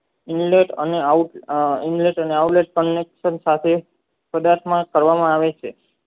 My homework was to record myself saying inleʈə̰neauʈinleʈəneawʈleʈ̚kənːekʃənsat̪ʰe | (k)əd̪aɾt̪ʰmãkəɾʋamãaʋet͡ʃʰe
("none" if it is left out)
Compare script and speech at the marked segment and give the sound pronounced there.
p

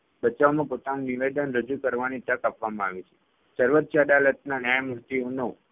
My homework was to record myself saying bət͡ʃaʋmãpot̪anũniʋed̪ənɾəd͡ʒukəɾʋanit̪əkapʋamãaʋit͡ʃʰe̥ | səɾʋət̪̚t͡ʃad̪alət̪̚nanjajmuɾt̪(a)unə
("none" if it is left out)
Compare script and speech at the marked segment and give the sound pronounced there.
i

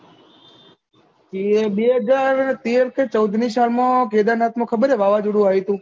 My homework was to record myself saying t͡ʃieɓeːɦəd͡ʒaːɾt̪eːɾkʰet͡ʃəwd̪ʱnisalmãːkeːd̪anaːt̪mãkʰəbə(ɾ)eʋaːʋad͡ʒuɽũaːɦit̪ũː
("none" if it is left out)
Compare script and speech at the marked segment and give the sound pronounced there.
ɾ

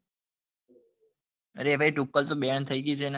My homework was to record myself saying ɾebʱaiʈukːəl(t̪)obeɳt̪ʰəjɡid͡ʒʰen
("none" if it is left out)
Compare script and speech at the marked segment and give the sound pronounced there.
t̪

